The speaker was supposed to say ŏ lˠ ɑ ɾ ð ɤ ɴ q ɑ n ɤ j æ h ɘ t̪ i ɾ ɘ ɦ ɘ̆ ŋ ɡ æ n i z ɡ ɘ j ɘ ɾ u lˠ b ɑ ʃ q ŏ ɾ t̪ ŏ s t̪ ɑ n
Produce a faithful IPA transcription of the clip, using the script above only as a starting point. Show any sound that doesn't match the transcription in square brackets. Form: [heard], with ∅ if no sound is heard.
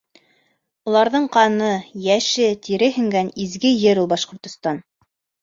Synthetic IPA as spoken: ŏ lˠ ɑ ɾ ð ɤ ɴ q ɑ n ɤ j æ [ʃ] ɘ t̪ i ɾ ɘ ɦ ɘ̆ ŋ ɡ æ n i z ɡ ɘ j ɘ ɾ u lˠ b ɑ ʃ q ŏ ɾ t̪ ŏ s t̪ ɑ n